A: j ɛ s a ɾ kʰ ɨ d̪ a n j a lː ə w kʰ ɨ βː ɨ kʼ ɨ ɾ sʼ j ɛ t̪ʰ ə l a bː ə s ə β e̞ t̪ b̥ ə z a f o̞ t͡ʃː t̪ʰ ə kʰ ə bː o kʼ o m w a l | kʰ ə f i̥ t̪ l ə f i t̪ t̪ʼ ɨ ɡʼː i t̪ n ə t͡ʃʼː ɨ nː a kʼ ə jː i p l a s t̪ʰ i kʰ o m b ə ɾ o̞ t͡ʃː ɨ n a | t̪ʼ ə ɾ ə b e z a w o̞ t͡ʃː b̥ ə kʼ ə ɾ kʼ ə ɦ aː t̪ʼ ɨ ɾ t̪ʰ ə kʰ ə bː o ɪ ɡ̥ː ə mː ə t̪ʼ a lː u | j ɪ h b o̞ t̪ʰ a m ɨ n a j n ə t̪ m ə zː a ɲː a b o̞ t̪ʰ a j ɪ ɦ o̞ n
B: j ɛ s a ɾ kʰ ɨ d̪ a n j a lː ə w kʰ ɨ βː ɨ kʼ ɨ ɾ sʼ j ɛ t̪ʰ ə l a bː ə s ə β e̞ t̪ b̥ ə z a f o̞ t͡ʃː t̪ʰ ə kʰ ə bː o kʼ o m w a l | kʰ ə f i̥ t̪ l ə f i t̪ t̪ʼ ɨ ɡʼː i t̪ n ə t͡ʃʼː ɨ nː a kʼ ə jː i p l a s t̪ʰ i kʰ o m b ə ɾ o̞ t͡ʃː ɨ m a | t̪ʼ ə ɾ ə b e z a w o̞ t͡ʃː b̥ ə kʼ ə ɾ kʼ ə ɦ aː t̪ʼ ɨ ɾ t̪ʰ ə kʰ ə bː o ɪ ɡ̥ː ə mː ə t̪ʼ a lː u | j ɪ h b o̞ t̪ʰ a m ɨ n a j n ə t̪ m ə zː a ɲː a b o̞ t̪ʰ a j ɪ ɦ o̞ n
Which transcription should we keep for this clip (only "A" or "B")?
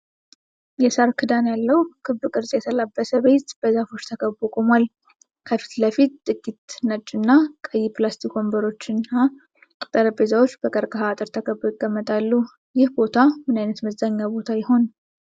A